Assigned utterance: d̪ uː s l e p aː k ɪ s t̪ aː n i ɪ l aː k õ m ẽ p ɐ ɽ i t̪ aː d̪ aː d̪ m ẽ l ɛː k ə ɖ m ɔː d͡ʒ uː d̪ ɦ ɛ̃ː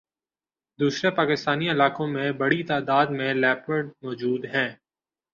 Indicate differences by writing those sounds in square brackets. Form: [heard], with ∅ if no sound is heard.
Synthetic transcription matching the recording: d̪ uː s [ɾ] e p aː k ɪ s t̪ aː n i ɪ l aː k õ m ẽ [b] ɐ ɽ i t̪ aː d̪ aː d̪ m ẽ l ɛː [p] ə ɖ m ɔː d͡ʒ uː d̪ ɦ ɛ̃ː